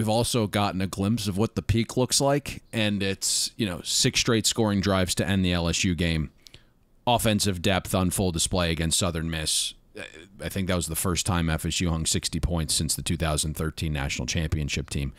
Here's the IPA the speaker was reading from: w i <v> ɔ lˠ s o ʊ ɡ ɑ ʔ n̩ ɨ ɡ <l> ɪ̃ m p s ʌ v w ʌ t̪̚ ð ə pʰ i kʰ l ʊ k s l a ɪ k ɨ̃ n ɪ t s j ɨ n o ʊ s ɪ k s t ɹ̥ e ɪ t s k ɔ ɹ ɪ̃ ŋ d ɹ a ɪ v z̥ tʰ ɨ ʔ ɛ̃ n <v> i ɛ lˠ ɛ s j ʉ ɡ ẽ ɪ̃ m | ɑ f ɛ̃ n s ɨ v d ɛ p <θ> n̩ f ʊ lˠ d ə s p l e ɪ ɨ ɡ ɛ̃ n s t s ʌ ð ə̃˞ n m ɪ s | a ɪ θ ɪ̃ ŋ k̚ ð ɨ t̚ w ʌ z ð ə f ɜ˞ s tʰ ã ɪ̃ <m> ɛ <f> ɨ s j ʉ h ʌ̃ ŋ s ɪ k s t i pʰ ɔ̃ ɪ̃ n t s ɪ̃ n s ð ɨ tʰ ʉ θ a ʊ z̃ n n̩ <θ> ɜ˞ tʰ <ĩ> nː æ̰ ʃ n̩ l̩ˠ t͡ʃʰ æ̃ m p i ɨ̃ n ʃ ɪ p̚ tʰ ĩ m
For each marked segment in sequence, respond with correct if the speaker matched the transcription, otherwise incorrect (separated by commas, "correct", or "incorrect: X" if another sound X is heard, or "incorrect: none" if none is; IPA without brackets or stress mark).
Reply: correct, correct, incorrect: ð, correct, correct, correct, correct, correct